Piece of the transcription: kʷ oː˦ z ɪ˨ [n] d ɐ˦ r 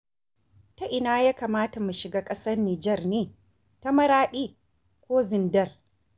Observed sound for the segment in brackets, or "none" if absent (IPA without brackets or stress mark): n